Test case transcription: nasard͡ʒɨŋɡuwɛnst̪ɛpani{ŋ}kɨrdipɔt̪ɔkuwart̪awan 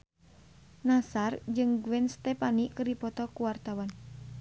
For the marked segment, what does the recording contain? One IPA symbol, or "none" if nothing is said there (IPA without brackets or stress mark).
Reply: none